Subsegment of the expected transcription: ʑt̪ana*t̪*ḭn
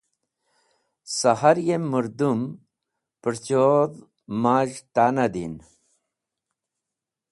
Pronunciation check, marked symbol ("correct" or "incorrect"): incorrect